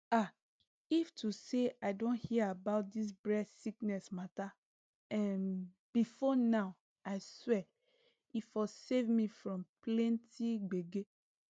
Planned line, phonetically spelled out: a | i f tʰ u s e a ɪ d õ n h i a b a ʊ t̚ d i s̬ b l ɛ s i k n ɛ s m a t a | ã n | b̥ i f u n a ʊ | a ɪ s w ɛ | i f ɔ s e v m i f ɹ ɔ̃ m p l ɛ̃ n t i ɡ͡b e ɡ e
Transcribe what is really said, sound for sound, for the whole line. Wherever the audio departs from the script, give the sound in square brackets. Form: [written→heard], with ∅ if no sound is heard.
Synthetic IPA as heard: a | i f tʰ u s e a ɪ d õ n h i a b a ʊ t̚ d i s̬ b [l→ɹ] ɛ s i k n ɛ s m a t a | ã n | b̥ i f [u→ɔ] n a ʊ | a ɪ s w ɛ | i f ɔ s e v m i f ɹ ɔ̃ m p l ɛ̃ n t i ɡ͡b e ɡ e

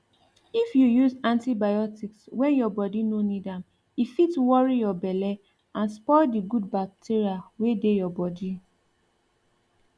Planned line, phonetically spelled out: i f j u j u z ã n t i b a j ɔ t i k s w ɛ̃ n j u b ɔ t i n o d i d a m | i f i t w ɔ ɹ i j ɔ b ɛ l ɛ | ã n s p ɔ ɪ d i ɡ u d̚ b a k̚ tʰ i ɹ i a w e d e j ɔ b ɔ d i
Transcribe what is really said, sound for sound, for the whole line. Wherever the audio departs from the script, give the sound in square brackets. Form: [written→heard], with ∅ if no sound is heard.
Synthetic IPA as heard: i f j u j u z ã n t i b a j ɔ t i k s w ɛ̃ n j [u→ɔ] b ɔ [t→d] i n o [d→n] i d a m | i f i t w ɔ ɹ i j ɔ b ɛ l ɛ | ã n s p ɔ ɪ d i ɡ u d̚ b a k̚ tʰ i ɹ i a w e d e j ɔ b ɔ d i

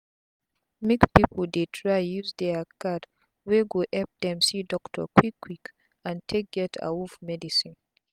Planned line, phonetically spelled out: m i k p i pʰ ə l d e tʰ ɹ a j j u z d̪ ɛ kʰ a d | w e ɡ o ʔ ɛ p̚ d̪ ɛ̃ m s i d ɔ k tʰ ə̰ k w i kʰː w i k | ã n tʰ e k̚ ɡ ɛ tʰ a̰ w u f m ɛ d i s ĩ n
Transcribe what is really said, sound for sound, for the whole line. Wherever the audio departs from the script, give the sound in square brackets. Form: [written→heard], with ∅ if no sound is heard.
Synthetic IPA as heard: m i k p i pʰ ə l d e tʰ ɹ a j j u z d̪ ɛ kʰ a d | w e ɡ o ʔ ɛ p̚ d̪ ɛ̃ m s i d ɔ k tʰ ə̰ k w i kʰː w i k | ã n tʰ e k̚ ɡ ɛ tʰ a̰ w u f m ɛ d i s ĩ n

